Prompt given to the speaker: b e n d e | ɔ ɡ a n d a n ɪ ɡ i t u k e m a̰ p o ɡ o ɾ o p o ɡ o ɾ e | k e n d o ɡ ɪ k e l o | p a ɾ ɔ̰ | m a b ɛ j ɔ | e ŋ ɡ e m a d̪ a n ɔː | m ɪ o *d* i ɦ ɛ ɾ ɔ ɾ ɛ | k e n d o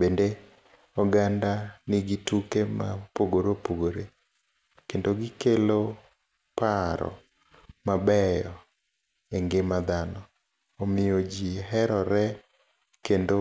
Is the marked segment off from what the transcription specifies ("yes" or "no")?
yes